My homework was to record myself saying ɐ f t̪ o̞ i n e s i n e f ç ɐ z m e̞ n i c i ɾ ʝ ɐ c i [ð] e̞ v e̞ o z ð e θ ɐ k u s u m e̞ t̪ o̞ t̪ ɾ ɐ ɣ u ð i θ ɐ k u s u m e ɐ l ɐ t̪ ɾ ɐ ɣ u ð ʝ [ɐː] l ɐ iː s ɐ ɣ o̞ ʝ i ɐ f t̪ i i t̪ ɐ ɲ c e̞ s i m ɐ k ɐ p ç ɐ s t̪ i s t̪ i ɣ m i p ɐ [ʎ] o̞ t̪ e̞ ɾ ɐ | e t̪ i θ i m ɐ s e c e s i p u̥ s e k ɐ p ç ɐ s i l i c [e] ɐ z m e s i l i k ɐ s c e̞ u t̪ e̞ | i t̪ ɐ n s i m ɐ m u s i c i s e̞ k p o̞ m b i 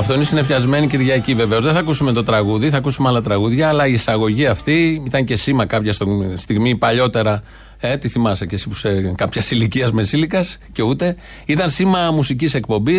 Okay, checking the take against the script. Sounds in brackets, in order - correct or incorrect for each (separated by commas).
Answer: incorrect, correct, correct, incorrect